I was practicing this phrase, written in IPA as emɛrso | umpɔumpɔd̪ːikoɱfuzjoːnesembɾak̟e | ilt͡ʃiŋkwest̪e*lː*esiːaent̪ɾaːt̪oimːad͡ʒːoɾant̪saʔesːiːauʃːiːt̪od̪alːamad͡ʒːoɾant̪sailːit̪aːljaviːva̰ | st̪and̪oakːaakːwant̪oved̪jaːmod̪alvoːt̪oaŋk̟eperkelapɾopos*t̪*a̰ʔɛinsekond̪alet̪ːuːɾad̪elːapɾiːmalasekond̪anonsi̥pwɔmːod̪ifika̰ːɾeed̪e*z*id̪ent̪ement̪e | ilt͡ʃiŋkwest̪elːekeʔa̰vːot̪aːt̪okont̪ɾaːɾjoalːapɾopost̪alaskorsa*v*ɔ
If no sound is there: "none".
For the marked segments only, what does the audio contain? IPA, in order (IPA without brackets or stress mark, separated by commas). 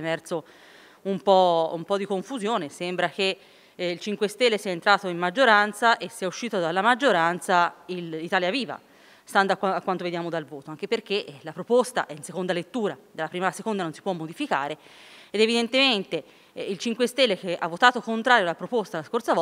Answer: lː, t̪, v, v